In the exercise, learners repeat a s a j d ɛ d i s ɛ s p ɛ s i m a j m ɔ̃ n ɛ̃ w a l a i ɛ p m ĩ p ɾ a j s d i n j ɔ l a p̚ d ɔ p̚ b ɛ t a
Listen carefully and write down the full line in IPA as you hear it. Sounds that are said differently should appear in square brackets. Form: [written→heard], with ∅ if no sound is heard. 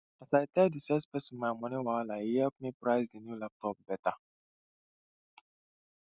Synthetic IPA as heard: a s a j [d→t] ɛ d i s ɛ s p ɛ s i m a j m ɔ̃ n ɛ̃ w a l a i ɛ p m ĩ p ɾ a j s d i n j [ɔ→u] l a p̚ [d→t] ɔ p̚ b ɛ t a

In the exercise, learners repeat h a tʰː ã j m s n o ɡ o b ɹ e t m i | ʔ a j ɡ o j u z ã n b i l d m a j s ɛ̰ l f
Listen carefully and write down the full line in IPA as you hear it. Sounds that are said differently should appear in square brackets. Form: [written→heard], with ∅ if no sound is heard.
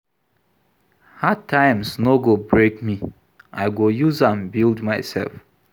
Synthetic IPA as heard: h a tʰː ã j m s n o ɡ o b ɹ e [t→k] m i | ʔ a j ɡ o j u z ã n b i l d m a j s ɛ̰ l f

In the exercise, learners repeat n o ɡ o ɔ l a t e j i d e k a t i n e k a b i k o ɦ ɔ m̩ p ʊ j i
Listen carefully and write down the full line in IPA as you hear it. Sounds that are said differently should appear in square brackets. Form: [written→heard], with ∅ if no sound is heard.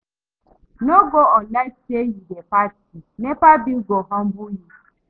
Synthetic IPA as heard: n o ɡ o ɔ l a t e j i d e [k→p] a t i n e [k→p] a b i [k→ɡ] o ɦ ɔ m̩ [p→b] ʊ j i

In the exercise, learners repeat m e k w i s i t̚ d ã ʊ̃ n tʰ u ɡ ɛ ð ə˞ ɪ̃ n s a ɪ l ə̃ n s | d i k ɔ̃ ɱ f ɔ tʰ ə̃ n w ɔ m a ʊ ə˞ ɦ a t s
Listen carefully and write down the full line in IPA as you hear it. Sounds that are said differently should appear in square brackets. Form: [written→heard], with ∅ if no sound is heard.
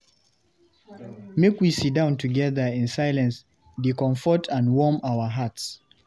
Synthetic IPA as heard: m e k w i s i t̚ d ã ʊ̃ n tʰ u ɡ ɛ ð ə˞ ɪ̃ n s a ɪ l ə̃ n s | d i k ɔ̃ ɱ f ɔ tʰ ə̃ n w ɔ m a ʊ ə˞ ɦ a t s

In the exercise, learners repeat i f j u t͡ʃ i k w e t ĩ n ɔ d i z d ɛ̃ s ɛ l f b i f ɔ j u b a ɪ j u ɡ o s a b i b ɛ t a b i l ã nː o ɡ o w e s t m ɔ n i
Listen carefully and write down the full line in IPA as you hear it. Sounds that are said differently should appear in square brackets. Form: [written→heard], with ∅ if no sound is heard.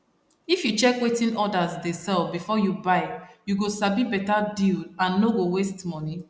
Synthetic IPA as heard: i f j u t͡ʃ [i→ɛ] k w e t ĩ n ɔ d [i→a] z d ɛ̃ s ɛ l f b i f ɔ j u b a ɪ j u ɡ o s a b i b ɛ t a [b→d] i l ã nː o ɡ o w e s t m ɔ n i

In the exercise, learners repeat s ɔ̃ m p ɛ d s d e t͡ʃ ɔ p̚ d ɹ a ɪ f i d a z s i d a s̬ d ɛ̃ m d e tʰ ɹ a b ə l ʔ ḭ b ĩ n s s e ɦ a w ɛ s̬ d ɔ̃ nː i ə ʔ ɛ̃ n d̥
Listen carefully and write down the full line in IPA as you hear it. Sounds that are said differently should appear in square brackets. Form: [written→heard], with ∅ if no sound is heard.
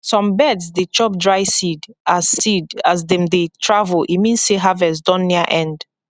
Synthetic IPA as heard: s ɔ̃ m [p→b] ɛ d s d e t͡ʃ ɔ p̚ d ɹ a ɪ [f→s] i d a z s i d a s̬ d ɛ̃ m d e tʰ ɹ a [b→v] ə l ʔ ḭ [b→m] ĩ n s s e ɦ a [w→v] ɛ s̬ d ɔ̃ nː i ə ʔ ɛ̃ n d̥

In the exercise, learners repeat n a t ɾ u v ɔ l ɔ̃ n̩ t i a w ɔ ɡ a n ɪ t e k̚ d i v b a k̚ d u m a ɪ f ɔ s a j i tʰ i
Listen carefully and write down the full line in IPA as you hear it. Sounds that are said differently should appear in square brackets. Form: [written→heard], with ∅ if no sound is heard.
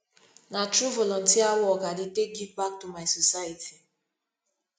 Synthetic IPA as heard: n a t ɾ u v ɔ l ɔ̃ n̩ t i a w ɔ ɡ a [n→d] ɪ t e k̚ [d→ɡ] i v b a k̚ [d→t] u m a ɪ [f→s] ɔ s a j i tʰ i

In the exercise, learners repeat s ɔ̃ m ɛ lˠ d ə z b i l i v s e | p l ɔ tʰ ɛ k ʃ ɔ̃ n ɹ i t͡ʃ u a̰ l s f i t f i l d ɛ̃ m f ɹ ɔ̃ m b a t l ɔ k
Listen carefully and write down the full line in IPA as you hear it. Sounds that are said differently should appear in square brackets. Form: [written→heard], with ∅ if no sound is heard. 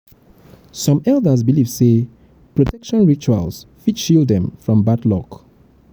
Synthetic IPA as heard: s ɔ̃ m ɛ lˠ d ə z b i l i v s e | p [l→ɹ] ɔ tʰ ɛ k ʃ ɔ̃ n ɹ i t͡ʃ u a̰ l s f i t [f→ʃ] i l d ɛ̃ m f ɹ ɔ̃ m b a t l ɔ k

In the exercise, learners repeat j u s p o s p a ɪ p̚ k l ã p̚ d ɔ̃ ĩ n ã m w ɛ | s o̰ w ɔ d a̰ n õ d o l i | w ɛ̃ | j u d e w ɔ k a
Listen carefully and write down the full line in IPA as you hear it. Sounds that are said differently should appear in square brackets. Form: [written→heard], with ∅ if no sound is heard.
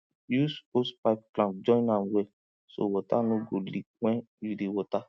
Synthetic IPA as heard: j u s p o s p a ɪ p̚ k l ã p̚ [d→d͡ʒ] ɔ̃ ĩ n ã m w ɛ | s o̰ w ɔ [d→t] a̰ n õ [d→ɡ] o l i | w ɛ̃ | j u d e w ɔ [k→t] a

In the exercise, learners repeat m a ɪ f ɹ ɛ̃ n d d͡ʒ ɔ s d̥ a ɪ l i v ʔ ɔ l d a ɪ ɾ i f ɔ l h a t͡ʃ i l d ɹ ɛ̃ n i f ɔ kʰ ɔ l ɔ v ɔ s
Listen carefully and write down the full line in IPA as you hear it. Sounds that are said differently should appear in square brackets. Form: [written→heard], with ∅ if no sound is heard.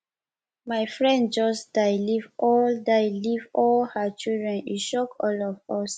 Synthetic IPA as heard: m a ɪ f ɹ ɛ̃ n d d͡ʒ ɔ s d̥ a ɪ l i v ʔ ɔ l d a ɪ [ɾ→l] i [f→v] ɔ l h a t͡ʃ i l d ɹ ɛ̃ n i [f→ʃ] ɔ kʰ ɔ l ɔ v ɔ s

